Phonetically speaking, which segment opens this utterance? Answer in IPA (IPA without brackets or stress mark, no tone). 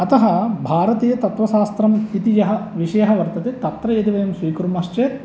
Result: ɐ